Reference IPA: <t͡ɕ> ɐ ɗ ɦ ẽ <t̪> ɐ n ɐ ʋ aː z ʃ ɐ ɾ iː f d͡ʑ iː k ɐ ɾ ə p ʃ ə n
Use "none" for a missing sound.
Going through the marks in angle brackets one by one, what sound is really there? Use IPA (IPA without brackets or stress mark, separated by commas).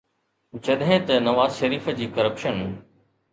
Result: t͡ɕ, t̪